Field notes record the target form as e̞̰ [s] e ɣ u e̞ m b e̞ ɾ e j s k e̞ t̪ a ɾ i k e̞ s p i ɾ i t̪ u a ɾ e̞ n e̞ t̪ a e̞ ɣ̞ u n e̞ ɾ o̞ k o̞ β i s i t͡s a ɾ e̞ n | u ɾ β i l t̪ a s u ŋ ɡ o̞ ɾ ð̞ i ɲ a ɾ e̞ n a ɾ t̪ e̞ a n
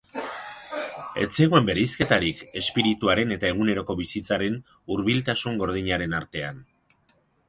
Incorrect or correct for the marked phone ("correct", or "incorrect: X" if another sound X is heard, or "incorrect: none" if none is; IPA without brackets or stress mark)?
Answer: incorrect: t͡s